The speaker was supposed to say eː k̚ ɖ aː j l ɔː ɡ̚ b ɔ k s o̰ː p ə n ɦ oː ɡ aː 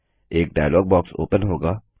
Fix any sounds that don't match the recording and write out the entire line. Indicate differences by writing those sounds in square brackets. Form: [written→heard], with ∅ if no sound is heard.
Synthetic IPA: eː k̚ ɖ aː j l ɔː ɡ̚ b [ɔ→ɔː] k s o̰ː p ə n ɦ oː ɡ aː